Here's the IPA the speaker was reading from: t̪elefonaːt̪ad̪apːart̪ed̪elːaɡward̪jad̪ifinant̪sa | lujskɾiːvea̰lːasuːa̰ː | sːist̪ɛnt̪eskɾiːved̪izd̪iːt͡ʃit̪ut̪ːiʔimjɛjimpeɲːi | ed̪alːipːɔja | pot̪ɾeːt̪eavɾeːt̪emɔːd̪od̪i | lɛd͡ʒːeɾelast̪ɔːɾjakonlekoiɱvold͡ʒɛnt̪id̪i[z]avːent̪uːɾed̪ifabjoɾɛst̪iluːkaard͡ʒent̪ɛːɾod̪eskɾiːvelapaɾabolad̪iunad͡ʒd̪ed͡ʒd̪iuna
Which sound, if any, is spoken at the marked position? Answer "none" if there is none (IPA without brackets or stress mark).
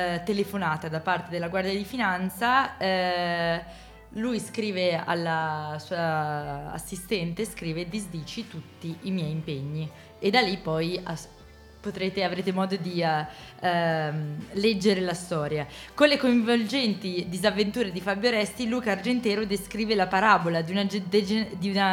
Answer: z